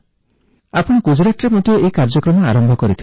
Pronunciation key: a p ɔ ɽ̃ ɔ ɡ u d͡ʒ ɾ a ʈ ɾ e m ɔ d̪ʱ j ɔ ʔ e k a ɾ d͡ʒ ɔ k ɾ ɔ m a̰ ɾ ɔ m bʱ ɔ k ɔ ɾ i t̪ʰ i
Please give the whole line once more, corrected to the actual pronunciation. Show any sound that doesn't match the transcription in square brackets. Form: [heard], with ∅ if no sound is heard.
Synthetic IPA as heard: a p ɔ ɽ̃ ɔ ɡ u d͡ʒ ɾ a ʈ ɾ e m ɔ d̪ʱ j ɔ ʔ e k a ɾ d͡ʒ ɔ k ɾ ɔ m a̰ ɾ ɔ m bʱ ɔ k ɔ ɾ i t̪ʰ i

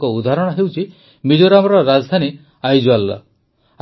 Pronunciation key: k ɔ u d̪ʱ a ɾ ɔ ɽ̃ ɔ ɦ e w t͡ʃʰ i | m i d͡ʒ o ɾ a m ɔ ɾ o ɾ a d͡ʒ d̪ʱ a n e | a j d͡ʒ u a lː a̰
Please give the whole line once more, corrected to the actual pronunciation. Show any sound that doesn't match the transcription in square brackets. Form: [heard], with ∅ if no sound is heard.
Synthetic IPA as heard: k ɔ u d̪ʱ a ɾ ɔ ɽ̃ ɔ ɦ e w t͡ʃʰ i | m i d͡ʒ o ɾ a m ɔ ɾ [ɔ] ɾ a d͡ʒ d̪ʱ a n [i] | a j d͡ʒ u a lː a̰

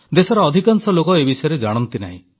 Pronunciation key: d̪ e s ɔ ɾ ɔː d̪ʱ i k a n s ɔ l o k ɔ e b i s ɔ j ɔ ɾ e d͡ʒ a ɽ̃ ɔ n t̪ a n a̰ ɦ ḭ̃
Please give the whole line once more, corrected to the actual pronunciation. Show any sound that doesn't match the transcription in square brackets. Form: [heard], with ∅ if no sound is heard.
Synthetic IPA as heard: d̪ e s ɔ ɾ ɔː d̪ʱ i k a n s ɔ l o k ɔ e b i s ɔ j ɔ ɾ e d͡ʒ a ɽ̃ ɔ n t̪ [i] n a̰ ɦ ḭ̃

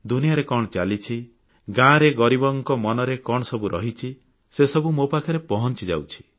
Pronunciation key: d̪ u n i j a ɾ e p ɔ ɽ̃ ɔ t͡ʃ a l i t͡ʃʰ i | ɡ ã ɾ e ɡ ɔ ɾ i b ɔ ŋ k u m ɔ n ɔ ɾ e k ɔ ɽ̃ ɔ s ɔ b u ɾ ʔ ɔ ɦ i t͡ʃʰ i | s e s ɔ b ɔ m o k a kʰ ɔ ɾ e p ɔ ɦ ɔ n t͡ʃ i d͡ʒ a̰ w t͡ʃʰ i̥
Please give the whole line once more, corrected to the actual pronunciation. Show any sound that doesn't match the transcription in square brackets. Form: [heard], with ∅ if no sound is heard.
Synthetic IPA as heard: d̪ u n i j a ɾ e [k] ɔ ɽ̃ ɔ t͡ʃ a l i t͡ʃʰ i | ɡ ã ɾ e ɡ ɔ ɾ i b ɔ ŋ k [ɔ] m ɔ n ɔ ɾ e k ɔ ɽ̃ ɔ s ɔ b u ɾ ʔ ɔ ɦ i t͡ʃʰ i | s e s ɔ b [u] m o [p] a kʰ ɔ ɾ e p ɔ ɦ ɔ n t͡ʃ i d͡ʒ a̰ w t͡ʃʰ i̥

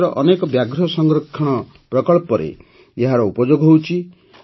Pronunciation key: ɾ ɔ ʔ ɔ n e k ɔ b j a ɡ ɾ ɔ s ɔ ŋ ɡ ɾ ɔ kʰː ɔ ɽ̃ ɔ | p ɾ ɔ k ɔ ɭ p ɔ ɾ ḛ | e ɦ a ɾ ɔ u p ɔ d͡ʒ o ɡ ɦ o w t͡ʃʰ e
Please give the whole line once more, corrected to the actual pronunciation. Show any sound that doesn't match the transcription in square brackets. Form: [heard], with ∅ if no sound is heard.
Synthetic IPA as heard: ɾ ɔ ʔ ɔ n e k ɔ b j a ɡ ɾ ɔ s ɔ ŋ ɡ ɾ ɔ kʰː ɔ ɽ̃ ɔ | p ɾ ɔ k ɔ ɭ p ɔ ɾ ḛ | e ɦ a ɾ ɔ u p ɔ d͡ʒ o ɡ ɦ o w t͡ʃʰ [i]

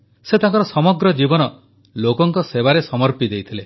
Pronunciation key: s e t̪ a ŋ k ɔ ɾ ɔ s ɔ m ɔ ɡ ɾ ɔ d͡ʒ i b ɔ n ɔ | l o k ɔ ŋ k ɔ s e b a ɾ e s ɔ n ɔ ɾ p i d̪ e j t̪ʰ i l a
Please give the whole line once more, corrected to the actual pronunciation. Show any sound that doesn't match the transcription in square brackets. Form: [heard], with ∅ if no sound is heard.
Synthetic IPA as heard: s e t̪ a ŋ k ɔ ɾ ɔ s ɔ m ɔ ɡ ɾ ɔ d͡ʒ i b ɔ n ɔ | l o k ɔ ŋ k ɔ s e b a ɾ e s ɔ [m] ɔ ɾ p i d̪ e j t̪ʰ i l [e]

